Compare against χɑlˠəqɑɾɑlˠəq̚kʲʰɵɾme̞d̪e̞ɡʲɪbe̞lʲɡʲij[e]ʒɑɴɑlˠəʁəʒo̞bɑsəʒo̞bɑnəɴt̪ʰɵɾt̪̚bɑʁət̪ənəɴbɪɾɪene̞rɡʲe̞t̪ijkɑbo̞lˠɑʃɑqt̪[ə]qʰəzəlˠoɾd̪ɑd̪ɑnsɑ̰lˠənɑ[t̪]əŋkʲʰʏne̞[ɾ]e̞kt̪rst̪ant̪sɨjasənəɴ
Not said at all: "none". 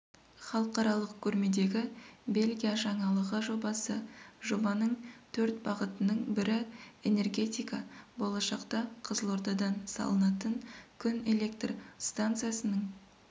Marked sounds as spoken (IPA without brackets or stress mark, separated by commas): a, ɑ, t̪, l